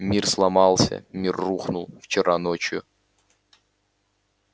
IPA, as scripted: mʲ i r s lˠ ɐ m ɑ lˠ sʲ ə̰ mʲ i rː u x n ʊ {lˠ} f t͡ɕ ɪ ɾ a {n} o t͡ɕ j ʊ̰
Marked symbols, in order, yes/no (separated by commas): yes, yes